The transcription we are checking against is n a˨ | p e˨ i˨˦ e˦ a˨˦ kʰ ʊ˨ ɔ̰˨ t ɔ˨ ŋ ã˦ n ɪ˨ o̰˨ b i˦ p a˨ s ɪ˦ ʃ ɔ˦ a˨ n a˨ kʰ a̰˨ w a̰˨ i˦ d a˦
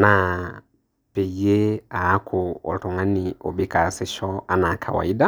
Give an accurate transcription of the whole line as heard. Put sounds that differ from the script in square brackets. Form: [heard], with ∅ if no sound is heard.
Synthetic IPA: n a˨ | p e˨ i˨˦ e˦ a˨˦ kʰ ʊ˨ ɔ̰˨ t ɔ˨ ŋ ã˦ n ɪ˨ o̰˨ b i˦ [k] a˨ s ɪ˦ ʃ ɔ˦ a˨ n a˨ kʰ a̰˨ w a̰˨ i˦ d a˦